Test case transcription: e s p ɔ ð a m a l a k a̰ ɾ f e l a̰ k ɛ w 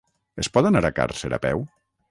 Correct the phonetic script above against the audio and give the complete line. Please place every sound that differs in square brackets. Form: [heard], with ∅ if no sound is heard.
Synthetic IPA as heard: e s p ɔ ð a [n] a [ɾ] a k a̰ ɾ [s] e [ɾ] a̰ [p] ɛ w